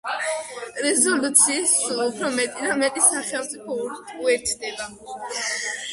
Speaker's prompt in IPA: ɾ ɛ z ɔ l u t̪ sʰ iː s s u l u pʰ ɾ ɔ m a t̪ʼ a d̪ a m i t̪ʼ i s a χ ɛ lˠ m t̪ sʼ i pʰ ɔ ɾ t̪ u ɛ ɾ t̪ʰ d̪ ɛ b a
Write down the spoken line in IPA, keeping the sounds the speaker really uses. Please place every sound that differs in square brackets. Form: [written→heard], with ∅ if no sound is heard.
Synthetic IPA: ɾ ɛ z ɔ l u t̪ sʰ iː s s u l u pʰ ɾ ɔ m [a→ɛ] t̪ʼ [a→i] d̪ a m [i→ɛ] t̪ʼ i s a χ ɛ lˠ m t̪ sʼ i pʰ ɔ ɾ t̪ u ɛ ɾ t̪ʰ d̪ ɛ b a